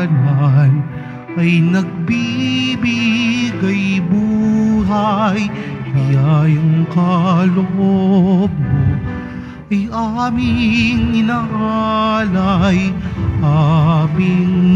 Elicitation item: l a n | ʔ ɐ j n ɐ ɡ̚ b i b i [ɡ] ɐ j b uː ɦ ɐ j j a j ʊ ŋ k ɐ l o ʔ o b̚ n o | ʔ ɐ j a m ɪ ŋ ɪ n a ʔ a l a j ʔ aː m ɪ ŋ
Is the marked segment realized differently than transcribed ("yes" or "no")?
no